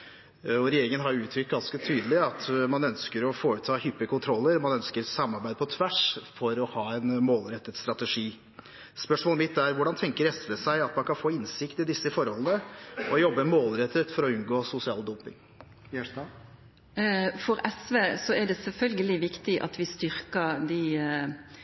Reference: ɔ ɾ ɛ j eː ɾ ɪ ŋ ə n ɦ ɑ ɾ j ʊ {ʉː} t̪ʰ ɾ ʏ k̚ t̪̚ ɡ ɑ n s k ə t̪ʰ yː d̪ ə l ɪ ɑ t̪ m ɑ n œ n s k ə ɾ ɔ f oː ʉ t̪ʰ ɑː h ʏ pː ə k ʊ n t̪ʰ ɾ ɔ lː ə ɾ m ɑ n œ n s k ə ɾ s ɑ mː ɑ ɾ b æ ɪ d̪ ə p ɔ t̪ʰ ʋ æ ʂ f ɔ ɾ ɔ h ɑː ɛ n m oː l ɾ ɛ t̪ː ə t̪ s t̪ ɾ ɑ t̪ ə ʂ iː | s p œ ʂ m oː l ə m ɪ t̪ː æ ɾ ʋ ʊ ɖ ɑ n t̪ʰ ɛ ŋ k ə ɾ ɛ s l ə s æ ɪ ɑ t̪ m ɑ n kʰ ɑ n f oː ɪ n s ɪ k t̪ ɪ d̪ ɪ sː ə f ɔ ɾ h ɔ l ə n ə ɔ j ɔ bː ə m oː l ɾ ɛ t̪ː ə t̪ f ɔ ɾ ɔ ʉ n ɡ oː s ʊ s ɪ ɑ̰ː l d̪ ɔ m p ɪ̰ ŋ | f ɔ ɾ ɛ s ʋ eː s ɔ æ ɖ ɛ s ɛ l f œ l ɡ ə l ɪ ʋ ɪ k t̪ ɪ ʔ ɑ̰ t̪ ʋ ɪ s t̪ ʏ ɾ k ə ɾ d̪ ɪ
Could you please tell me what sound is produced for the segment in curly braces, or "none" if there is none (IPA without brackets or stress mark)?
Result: ʉː